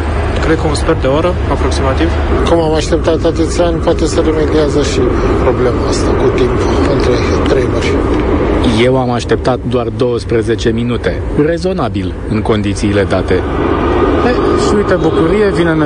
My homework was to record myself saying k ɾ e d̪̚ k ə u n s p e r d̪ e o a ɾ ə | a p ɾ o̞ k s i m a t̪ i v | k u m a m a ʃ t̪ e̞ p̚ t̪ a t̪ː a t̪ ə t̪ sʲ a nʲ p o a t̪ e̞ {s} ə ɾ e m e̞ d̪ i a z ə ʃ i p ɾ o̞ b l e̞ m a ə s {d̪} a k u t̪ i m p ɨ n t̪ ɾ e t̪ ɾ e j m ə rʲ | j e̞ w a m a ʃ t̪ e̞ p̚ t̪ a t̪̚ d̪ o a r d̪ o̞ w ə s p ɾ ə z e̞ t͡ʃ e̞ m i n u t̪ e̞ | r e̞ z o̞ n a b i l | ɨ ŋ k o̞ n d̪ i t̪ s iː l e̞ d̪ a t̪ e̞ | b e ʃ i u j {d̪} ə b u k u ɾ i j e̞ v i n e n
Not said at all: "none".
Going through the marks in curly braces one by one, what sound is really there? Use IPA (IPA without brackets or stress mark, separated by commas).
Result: s, t̪, t̪